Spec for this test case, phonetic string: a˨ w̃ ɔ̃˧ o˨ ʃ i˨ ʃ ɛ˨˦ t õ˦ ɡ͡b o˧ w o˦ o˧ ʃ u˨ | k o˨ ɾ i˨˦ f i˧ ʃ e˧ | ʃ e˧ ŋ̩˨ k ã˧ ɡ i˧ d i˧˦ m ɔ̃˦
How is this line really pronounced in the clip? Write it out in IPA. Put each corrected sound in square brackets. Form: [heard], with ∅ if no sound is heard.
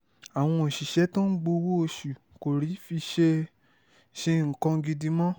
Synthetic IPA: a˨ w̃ ɔ̃˧ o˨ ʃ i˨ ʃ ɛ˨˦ t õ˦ ɡ͡b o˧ w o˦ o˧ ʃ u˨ | k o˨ ɾ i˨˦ f i˧ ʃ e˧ | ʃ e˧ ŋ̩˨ k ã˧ ɡ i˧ d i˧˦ m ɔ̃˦